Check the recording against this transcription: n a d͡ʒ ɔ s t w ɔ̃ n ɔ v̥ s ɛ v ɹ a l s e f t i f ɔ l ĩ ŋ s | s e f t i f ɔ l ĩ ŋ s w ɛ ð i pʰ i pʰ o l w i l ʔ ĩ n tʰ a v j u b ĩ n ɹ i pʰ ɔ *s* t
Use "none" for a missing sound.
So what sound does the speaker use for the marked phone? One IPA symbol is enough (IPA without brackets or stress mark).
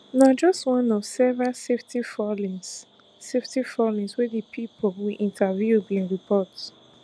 none